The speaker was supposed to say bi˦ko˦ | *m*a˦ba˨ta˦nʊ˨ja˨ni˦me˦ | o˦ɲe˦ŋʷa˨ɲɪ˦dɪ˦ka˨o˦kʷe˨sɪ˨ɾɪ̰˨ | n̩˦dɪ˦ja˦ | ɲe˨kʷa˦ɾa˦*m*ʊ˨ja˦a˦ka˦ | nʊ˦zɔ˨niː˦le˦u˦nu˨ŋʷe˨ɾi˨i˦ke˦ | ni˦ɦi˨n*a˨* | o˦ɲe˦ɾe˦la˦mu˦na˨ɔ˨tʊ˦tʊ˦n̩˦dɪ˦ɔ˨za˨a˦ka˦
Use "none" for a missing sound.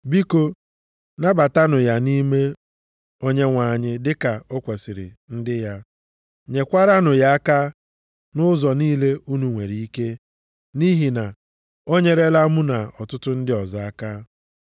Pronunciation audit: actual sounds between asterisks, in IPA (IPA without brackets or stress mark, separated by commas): n, n, a˨